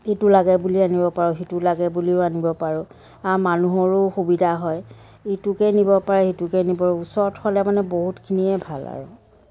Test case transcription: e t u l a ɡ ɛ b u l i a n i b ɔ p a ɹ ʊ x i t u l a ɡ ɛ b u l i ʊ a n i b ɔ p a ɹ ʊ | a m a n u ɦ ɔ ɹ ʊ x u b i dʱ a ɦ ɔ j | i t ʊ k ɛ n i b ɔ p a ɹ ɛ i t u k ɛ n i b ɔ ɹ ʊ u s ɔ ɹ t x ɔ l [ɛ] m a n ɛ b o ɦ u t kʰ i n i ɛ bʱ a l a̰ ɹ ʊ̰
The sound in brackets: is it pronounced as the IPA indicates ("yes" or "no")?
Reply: yes